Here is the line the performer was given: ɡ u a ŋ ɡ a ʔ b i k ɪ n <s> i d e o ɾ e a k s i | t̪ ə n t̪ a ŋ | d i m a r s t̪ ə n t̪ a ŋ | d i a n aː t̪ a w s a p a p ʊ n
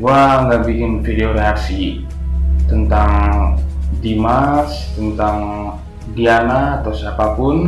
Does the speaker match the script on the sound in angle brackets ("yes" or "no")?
no